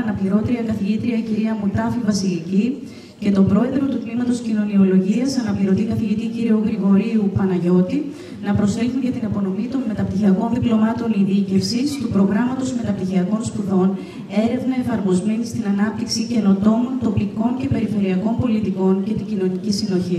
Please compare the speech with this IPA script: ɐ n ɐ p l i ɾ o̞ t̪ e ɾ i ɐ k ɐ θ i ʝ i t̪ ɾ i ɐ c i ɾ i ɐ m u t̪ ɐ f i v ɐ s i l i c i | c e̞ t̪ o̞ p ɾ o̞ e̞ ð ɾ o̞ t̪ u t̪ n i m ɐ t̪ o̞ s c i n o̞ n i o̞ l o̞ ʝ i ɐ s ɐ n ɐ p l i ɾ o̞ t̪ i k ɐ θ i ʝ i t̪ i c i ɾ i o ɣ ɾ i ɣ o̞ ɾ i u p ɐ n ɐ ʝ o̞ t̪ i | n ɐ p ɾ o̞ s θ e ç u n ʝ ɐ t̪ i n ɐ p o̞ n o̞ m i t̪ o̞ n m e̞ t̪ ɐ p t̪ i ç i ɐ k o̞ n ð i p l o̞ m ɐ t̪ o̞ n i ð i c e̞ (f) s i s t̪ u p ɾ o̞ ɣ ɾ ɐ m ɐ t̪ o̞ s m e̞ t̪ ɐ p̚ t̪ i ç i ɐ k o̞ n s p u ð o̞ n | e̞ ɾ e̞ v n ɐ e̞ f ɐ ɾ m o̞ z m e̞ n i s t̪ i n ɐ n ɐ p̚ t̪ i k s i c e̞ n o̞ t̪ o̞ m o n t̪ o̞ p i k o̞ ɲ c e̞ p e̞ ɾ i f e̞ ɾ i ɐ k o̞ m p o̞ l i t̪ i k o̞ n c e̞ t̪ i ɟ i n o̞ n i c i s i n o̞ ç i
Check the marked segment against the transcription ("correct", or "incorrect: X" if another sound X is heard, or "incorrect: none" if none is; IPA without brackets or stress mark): correct